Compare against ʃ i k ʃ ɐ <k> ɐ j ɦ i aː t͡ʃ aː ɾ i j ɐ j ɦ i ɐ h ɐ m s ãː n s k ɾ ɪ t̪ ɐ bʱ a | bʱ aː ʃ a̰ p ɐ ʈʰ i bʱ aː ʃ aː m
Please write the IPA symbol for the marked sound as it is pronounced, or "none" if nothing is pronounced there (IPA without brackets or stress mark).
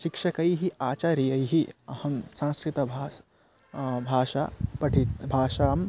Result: k